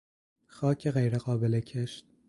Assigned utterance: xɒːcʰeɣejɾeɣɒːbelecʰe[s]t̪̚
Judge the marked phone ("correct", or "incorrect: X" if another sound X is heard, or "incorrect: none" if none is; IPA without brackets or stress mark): incorrect: ʃ